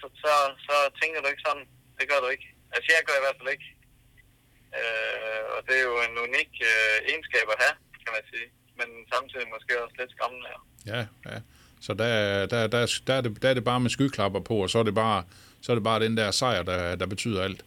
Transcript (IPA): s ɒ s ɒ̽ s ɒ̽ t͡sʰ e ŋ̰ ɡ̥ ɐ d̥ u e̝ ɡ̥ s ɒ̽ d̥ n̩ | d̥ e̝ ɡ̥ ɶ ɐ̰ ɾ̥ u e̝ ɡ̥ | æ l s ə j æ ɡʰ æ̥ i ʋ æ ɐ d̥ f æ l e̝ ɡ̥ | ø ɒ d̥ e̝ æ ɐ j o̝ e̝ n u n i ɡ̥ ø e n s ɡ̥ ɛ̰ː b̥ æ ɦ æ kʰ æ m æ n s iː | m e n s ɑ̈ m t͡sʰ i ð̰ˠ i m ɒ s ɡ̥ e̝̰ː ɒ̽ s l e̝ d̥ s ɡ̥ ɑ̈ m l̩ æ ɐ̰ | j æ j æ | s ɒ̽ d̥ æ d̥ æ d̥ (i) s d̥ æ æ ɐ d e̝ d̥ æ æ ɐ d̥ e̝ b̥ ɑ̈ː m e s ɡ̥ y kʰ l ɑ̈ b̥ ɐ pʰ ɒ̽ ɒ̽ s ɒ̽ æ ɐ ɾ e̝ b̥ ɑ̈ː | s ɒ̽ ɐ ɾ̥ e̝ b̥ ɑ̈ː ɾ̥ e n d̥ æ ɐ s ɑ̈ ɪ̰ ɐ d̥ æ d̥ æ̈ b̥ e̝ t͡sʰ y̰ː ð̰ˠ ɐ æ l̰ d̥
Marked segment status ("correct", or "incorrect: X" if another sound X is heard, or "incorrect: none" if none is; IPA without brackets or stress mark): incorrect: æ